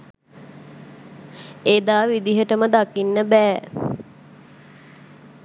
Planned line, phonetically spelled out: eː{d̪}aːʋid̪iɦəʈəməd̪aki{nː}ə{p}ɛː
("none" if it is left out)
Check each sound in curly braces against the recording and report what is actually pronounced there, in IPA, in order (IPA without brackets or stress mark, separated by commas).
d̪, nː, b